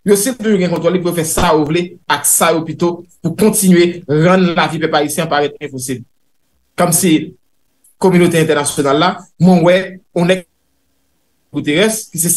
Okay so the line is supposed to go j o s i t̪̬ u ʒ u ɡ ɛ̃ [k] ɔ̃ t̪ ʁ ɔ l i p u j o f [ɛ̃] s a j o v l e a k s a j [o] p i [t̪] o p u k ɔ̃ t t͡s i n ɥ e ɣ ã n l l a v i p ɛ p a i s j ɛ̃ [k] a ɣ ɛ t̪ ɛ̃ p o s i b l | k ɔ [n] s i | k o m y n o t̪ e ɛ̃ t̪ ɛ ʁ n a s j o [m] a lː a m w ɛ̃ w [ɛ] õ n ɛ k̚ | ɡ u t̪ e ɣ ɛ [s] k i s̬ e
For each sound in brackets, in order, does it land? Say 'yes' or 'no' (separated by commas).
yes, no, yes, yes, no, no, no, yes, yes